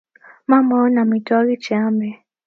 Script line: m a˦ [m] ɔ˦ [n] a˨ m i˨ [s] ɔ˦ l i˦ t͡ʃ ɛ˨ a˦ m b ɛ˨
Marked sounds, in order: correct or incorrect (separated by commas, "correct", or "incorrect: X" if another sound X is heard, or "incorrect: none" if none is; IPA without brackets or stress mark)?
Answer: correct, correct, incorrect: t